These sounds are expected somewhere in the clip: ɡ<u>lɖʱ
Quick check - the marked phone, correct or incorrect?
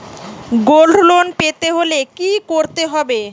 incorrect: o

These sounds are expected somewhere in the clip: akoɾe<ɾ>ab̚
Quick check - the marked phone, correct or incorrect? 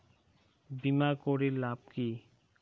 incorrect: l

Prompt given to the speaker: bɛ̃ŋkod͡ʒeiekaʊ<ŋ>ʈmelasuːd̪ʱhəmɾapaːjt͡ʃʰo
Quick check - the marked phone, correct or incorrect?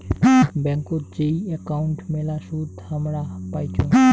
incorrect: ɳ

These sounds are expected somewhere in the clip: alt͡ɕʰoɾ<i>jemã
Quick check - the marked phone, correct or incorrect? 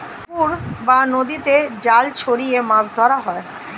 correct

